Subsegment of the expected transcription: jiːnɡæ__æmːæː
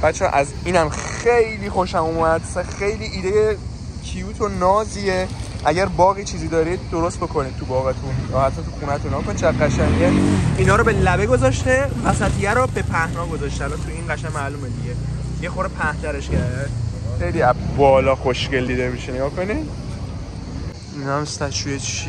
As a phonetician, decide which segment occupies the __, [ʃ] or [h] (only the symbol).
ʃ